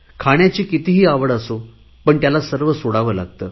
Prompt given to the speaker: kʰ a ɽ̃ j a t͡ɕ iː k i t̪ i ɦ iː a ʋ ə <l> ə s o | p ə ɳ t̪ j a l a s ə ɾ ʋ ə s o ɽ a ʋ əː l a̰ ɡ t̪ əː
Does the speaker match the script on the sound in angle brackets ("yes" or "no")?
no